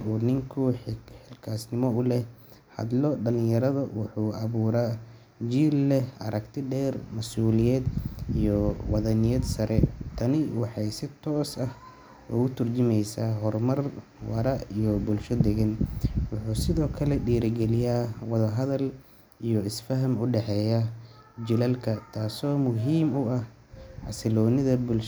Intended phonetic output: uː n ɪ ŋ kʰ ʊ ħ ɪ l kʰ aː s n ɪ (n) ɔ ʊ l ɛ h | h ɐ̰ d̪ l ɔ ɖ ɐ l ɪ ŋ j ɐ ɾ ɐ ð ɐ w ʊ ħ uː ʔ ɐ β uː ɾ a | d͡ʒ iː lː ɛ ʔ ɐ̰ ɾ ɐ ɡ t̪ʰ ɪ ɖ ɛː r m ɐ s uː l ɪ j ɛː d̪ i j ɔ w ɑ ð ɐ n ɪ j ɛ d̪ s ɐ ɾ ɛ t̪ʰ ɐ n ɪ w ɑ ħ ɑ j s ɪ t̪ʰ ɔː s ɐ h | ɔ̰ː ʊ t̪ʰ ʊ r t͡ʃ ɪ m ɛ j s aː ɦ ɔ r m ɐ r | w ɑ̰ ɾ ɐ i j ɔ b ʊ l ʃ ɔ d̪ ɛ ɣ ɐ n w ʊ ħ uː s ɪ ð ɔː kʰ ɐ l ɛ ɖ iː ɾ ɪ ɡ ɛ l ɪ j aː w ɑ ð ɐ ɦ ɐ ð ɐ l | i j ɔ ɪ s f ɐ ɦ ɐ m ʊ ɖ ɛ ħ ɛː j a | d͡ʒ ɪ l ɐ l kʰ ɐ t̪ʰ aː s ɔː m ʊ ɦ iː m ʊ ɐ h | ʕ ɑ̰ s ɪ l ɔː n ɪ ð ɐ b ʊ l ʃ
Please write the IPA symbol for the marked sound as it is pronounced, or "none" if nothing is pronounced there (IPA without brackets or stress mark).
m